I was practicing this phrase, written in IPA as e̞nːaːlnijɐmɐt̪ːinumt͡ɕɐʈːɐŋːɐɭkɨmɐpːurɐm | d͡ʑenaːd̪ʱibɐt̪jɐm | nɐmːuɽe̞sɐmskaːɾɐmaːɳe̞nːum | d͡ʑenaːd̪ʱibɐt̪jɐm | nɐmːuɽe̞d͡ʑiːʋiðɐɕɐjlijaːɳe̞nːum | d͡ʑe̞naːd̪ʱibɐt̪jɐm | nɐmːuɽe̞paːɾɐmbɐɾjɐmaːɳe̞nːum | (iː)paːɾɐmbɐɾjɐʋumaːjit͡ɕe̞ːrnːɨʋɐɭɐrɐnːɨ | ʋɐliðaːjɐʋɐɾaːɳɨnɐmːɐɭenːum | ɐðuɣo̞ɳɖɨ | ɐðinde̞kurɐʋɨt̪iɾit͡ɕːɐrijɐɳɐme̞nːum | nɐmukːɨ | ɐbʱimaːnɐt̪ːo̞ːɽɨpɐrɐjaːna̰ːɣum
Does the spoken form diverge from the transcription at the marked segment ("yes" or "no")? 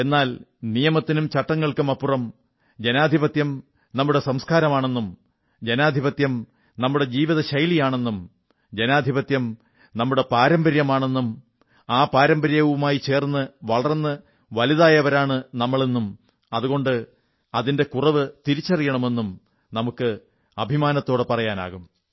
yes